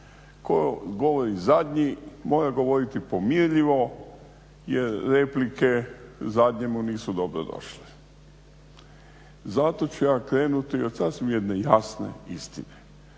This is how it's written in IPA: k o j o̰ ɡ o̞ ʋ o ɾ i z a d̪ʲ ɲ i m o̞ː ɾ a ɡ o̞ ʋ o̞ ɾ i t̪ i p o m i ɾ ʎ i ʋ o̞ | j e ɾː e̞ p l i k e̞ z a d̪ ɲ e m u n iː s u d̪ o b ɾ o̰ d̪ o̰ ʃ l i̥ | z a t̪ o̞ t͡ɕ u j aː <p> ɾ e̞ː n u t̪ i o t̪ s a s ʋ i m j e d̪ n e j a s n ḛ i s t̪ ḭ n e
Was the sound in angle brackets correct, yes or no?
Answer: no